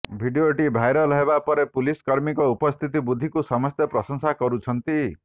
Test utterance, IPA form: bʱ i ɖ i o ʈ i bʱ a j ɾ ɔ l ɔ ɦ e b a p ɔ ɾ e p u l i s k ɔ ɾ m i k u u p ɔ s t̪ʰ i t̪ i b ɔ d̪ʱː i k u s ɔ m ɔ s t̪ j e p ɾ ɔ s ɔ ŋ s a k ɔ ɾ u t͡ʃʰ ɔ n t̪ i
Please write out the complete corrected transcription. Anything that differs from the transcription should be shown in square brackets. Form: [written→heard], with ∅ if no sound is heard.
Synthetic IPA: bʱ i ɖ i o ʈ i bʱ a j ɾ ɔ l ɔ ɦ e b a p ɔ ɾ e p u l i s k ɔ ɾ m i k [u→ɔ] u p ɔ s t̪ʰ i t̪ i b [ɔ→u] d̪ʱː i k u s ɔ m ɔ s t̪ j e p ɾ ɔ s ɔ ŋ s a k ɔ ɾ u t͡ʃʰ ɔ n t̪ i